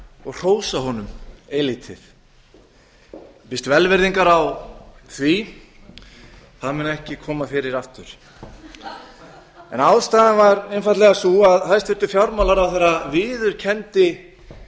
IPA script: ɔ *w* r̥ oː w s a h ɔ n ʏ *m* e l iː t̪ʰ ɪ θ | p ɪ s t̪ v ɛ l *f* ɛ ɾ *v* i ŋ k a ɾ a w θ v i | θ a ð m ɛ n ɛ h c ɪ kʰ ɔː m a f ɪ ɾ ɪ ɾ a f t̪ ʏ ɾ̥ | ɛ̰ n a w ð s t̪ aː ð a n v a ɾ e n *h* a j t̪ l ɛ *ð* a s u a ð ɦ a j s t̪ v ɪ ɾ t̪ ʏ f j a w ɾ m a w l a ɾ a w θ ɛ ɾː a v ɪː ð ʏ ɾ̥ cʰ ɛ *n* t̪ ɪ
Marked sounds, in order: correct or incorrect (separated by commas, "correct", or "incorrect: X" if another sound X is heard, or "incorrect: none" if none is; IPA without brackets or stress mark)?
incorrect: ɣ, correct, incorrect: v, incorrect: ð, incorrect: f, incorrect: ɣ, correct